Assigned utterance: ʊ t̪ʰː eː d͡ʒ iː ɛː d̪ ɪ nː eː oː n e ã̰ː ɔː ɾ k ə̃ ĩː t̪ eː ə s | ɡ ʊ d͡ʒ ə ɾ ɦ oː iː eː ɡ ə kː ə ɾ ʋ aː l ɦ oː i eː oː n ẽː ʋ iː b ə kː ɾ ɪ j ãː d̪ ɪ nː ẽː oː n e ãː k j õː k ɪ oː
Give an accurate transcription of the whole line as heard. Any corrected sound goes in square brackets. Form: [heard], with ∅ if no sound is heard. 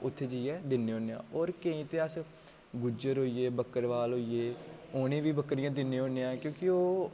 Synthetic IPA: ʊ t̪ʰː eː d͡ʒ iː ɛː d̪ ɪ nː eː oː n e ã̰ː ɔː ɾ k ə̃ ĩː t̪ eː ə s | ɡ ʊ d͡ʒ ə ɾ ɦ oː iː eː [b] ə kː ə ɾ ʋ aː l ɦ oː i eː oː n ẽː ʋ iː b ə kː ɾ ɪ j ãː d̪ ɪ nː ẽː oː n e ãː k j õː k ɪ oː